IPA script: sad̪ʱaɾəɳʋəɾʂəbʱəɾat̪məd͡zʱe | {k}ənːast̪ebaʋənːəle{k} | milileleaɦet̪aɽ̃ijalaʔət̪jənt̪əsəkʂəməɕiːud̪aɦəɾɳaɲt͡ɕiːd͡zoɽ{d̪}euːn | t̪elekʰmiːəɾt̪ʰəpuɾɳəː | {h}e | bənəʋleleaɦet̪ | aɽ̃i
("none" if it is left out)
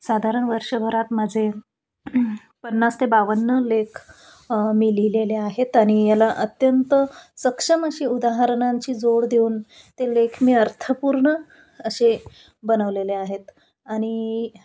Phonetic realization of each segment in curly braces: p, kʰ, d̪, ɕ

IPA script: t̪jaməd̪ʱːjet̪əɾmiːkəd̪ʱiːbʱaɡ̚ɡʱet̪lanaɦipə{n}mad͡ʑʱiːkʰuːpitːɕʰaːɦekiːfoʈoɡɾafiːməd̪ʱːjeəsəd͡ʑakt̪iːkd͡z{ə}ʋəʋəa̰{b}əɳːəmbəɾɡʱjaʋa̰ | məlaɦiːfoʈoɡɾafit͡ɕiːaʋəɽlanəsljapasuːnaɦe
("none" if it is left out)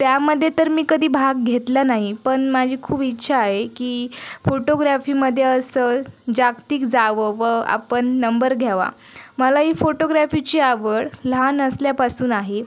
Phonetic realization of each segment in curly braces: ɳ, a, p

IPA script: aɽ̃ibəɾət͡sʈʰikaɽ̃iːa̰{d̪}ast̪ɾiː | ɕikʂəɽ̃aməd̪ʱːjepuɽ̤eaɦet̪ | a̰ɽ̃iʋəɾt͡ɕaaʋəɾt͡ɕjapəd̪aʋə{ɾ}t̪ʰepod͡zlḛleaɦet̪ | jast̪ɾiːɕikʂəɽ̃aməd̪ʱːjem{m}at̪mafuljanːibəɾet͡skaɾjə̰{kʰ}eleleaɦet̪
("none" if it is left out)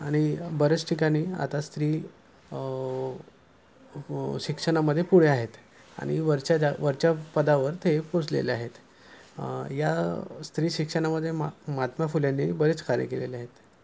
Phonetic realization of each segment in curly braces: t̪, ɾ, m, k

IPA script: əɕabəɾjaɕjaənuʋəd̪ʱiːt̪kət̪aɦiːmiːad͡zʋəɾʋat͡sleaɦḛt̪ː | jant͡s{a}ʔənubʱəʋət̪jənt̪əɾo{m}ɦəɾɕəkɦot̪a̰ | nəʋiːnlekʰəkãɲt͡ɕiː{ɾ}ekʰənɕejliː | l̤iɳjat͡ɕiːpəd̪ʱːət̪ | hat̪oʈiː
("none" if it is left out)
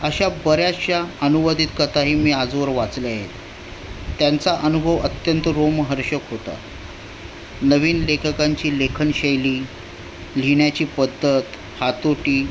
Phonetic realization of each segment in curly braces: a, m, l

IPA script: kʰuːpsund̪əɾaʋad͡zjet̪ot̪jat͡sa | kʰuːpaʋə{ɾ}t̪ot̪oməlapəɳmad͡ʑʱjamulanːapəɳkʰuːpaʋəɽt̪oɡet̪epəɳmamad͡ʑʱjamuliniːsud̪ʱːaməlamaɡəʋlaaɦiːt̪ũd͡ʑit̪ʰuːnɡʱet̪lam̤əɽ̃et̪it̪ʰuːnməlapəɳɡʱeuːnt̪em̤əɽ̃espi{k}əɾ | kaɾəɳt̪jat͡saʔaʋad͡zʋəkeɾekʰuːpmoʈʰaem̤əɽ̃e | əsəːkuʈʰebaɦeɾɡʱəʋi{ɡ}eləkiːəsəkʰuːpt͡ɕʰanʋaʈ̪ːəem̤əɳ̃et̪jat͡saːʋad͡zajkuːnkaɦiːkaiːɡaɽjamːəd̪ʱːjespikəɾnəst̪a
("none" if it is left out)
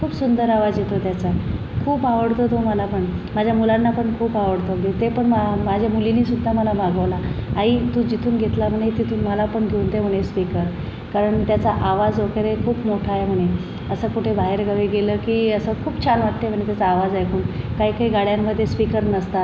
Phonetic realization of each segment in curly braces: ɽ, k, ɡ

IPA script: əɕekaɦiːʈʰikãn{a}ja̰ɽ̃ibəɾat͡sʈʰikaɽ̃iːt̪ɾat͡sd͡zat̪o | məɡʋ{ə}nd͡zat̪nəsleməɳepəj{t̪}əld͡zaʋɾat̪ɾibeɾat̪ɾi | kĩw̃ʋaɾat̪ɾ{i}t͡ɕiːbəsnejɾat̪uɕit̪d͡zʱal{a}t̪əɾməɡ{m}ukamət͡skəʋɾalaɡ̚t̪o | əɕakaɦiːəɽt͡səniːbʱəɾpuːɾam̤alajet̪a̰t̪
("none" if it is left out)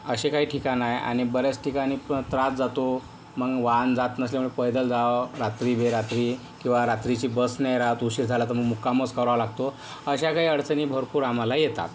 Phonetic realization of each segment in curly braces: a, a, d̪, i, a, m

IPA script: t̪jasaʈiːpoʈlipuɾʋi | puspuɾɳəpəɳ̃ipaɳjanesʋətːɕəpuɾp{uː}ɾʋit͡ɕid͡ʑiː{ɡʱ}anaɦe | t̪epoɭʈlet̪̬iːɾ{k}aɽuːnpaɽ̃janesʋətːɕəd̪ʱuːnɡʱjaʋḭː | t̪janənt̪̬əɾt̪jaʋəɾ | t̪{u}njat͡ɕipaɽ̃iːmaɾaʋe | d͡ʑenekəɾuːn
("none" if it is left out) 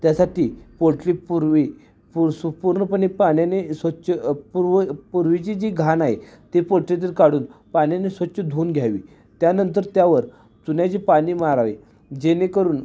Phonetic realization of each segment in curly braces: u, ɡʱ, k, u

